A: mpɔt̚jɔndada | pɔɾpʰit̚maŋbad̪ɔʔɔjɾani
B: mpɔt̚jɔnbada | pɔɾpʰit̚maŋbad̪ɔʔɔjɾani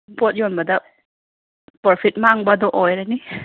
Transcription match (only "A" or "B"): B